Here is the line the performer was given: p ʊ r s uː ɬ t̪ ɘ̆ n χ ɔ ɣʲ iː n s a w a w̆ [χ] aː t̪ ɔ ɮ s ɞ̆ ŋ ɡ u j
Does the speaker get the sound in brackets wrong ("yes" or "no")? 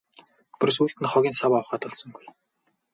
no